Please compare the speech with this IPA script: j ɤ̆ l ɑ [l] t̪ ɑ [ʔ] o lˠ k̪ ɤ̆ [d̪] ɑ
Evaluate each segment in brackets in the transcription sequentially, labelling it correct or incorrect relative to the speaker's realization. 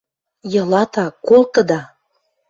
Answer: incorrect: none, incorrect: k, correct

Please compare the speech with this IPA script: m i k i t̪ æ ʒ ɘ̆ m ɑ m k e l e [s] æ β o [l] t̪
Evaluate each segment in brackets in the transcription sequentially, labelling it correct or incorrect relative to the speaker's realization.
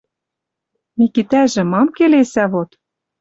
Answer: correct, incorrect: none

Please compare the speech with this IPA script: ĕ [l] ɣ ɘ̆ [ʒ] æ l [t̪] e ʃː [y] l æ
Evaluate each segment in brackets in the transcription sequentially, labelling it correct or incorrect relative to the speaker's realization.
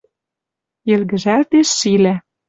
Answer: correct, correct, correct, incorrect: i

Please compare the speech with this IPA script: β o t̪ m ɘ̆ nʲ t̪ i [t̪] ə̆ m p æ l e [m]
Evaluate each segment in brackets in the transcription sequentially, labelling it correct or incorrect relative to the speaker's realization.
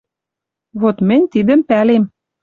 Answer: incorrect: d̪, correct

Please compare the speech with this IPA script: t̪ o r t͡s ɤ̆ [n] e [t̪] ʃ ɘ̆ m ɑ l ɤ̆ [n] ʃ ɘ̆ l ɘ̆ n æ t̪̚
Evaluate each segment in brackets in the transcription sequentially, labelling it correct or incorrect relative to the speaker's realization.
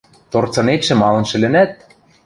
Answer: correct, correct, correct

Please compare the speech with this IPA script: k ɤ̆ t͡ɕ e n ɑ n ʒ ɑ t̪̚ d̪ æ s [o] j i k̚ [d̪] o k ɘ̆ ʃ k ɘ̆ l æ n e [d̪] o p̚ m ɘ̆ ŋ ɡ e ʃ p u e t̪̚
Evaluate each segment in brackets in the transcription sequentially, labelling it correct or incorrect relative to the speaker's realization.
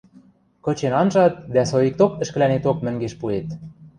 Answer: correct, incorrect: t̪, incorrect: t̪

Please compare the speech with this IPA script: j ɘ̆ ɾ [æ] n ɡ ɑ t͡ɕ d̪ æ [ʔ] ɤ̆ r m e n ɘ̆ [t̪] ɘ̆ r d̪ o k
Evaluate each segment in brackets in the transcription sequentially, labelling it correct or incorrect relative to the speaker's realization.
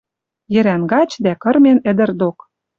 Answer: correct, incorrect: k, incorrect: d̪

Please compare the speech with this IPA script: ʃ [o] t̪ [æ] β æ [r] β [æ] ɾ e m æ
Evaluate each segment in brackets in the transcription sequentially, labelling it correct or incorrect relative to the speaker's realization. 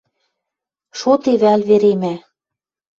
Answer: correct, incorrect: e, incorrect: l, incorrect: e

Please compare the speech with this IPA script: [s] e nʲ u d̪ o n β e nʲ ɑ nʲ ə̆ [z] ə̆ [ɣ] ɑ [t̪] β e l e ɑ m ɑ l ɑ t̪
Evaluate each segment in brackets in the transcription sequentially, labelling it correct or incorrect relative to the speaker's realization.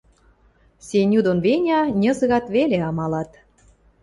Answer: correct, correct, correct, correct

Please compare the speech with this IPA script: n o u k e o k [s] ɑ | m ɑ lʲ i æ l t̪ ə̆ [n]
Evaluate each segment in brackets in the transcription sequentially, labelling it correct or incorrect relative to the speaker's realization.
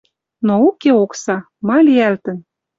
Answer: correct, correct

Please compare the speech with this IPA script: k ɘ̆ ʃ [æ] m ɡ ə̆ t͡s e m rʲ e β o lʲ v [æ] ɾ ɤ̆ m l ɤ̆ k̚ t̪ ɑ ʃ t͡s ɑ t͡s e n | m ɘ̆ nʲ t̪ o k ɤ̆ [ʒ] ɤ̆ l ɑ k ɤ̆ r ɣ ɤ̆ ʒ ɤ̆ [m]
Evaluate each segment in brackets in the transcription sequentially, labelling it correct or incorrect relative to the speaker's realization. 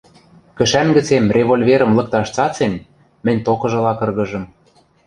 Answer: correct, incorrect: e, correct, correct

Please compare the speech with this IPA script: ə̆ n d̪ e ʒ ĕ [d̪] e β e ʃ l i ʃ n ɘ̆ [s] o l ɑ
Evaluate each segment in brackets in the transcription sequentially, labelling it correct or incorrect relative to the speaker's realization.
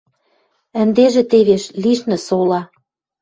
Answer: incorrect: t̪, correct

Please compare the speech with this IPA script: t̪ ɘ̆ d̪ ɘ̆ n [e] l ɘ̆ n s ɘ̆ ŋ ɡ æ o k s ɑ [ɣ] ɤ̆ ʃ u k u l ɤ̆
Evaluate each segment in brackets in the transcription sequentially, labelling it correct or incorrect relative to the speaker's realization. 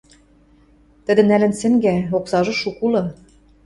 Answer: incorrect: æ, incorrect: ʒ

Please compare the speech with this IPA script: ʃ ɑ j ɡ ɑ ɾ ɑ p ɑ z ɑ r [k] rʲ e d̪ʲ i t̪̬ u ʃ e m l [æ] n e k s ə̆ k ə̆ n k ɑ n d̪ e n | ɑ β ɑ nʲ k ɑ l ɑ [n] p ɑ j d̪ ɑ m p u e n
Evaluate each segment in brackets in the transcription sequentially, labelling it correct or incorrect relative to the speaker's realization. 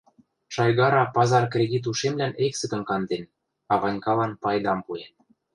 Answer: correct, correct, correct

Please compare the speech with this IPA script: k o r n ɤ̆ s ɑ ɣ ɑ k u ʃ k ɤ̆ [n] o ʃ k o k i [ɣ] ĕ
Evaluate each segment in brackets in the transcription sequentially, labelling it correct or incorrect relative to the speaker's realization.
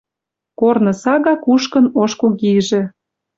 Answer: correct, incorrect: ʒ

